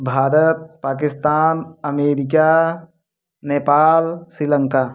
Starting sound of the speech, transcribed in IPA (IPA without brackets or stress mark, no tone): bʱ